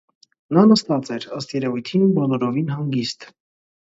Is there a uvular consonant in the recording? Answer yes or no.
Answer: no